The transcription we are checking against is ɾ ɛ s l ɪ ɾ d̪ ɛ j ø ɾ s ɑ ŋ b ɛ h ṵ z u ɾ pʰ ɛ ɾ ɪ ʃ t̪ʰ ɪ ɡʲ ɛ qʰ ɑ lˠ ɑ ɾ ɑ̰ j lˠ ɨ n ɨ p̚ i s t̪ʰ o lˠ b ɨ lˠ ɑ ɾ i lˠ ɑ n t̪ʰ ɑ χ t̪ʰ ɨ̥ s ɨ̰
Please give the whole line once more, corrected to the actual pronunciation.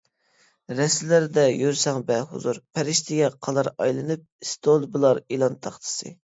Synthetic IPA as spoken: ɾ ɛ s l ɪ ɾ d̪ ɛ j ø ɾ s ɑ ŋ b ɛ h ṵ z u ɾ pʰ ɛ ɾ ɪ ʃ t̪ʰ ɪ ɡʲ ɛ qʰ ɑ lˠ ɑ ɾ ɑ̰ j lˠ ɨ n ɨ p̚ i s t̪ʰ o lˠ b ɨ lˠ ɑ ɾ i lˠ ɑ n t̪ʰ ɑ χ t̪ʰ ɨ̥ s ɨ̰